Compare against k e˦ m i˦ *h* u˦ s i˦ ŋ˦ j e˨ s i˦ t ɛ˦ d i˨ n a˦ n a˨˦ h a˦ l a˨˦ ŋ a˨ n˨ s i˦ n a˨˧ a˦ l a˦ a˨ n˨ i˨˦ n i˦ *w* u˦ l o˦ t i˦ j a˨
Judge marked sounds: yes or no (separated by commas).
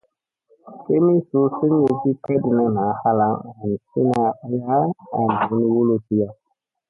no, yes